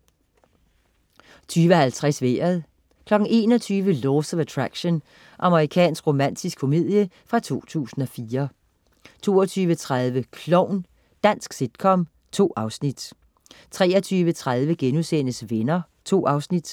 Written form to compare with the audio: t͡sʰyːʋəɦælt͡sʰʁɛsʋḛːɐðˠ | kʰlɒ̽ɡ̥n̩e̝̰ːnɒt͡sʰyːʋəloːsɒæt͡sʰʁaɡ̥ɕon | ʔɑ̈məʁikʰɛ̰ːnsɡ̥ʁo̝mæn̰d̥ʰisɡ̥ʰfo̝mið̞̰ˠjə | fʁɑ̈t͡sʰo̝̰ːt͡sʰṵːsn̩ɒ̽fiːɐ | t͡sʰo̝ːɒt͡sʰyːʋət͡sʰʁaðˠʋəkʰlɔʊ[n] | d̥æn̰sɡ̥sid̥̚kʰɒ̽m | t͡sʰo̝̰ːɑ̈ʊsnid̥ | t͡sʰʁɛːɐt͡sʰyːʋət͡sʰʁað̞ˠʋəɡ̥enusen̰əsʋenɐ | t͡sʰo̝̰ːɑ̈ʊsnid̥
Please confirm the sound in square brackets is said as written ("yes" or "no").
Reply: yes